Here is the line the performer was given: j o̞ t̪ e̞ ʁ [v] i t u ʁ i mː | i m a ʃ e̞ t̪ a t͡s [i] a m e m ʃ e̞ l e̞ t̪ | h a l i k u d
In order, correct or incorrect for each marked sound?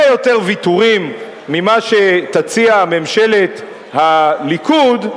correct, correct

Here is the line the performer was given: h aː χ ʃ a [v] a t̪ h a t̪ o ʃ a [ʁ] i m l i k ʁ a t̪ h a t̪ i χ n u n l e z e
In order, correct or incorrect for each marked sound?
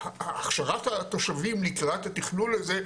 incorrect: ʁ, incorrect: v

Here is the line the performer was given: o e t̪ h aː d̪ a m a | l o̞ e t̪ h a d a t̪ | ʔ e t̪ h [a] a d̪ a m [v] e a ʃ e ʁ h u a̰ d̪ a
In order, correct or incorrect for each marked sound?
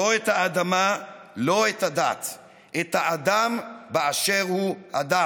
correct, incorrect: b

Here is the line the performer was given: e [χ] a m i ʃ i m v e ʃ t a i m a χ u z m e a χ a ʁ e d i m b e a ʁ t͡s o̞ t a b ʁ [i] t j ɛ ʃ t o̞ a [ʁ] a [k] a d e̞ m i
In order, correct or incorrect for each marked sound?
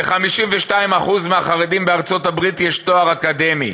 correct, correct, correct, correct

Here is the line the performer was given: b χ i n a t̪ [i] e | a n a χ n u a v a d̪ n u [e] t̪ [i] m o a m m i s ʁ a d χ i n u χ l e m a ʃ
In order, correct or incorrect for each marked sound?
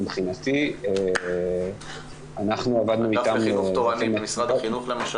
correct, incorrect: i, incorrect: a

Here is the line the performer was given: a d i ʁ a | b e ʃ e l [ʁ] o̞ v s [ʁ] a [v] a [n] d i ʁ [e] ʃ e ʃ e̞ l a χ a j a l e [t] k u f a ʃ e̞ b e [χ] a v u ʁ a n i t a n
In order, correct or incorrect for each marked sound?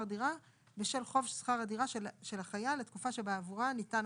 incorrect: χ, incorrect: χ, incorrect: ʁ, incorrect: none, incorrect: a, correct, incorrect: none

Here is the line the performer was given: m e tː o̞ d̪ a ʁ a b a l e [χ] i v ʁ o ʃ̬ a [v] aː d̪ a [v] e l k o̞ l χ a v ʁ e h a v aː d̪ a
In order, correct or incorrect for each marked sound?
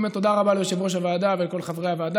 incorrect: ʃ, correct, correct

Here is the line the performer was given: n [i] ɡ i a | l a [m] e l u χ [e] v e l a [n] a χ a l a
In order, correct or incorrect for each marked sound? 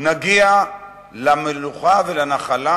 incorrect: a, correct, incorrect: a, correct

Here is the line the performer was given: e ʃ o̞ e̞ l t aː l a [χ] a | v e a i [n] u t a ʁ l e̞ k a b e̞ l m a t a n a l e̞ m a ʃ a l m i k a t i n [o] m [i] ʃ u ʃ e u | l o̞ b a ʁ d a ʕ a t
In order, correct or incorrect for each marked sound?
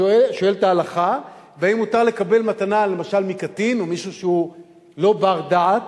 correct, incorrect: m, correct, correct

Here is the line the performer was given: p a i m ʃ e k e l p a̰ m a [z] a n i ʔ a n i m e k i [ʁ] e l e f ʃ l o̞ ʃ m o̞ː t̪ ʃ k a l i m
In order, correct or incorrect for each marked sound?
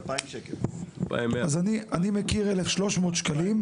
correct, correct

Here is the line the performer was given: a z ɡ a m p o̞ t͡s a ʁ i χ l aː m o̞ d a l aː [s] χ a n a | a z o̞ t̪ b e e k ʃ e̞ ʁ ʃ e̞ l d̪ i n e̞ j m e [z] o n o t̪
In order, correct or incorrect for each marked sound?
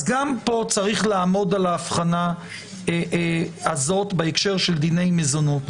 incorrect: f, correct

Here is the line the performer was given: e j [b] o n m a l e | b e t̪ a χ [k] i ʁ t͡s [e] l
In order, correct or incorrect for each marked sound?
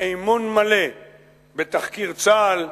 incorrect: m, correct, incorrect: a

